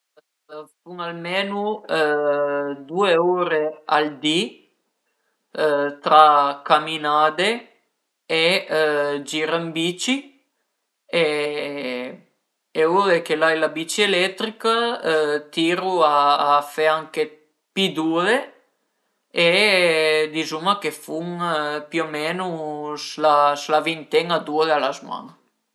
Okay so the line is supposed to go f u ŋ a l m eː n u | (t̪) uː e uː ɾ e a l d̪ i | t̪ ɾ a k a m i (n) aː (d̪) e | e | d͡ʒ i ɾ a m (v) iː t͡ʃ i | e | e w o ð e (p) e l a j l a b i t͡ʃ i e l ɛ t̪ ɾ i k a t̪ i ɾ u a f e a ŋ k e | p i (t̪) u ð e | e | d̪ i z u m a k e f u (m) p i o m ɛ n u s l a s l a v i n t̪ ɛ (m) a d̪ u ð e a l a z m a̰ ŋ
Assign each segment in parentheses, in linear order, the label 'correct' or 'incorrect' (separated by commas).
incorrect, correct, correct, incorrect, incorrect, incorrect, incorrect, incorrect